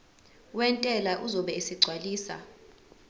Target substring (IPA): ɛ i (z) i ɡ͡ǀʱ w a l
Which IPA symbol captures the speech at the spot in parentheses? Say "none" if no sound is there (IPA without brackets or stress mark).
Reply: s